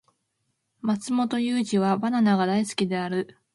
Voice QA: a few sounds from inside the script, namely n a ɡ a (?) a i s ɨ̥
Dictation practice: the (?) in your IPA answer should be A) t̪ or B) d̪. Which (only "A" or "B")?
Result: B